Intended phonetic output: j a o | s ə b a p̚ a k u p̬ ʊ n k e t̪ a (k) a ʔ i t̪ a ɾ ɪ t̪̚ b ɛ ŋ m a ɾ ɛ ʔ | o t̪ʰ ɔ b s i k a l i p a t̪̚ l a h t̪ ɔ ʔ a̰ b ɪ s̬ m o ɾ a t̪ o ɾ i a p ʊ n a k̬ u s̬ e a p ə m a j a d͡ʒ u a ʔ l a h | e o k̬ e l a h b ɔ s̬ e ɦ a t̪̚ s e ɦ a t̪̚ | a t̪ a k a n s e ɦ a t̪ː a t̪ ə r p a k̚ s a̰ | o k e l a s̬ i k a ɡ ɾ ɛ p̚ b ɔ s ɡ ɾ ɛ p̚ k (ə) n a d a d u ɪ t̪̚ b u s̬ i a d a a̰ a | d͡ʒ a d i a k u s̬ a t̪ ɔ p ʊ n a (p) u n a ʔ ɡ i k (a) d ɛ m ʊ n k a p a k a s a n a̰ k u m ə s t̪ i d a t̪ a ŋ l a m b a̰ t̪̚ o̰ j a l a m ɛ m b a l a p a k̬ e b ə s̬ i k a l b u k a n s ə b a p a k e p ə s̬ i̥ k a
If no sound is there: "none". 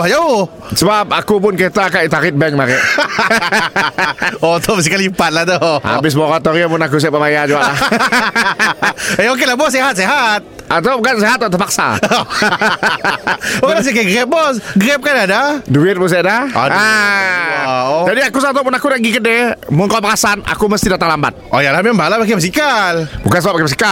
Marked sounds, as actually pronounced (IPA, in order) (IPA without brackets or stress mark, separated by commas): k, a, k, ə